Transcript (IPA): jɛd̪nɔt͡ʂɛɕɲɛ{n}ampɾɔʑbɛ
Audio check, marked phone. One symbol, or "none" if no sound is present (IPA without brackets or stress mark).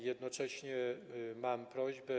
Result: m